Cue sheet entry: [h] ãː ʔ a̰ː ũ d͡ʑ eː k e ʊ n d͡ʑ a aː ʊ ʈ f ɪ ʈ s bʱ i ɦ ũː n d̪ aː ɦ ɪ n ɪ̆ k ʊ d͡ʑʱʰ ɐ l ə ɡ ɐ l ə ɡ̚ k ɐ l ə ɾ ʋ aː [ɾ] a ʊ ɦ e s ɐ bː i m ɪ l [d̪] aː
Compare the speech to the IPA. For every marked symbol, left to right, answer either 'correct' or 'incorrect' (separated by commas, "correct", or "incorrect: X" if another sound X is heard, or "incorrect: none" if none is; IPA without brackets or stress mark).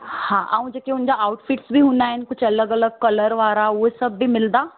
correct, correct, correct